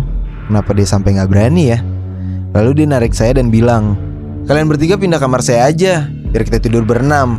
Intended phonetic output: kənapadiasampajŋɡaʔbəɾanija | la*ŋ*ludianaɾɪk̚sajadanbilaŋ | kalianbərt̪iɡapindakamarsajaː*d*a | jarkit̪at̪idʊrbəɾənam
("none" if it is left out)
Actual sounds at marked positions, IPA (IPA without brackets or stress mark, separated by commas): none, d͡ʒ